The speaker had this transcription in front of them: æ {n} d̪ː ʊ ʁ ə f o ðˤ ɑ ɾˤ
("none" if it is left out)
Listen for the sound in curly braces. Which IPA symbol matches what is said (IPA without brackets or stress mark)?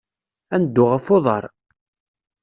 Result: n